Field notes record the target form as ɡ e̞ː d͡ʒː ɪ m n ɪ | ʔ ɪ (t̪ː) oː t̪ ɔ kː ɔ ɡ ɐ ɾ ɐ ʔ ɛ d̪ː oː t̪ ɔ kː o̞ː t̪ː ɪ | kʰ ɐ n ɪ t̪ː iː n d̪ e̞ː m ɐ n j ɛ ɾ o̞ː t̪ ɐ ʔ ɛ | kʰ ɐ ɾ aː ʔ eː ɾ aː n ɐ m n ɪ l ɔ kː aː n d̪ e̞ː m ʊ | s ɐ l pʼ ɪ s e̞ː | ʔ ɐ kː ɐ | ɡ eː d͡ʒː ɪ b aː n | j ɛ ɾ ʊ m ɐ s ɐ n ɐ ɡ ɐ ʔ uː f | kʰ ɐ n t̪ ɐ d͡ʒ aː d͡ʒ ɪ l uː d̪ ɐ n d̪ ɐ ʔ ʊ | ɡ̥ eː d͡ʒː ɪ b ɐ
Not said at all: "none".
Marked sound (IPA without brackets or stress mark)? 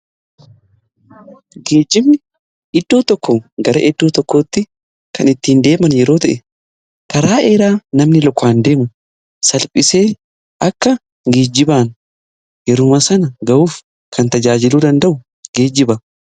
d̪ː